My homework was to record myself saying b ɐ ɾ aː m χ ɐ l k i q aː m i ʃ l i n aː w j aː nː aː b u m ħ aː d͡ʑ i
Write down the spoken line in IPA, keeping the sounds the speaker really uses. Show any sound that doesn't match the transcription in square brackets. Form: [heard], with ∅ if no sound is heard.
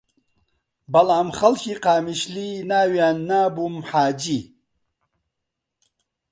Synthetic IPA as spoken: b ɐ [l] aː m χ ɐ l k i q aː m i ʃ l i n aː w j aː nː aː b u m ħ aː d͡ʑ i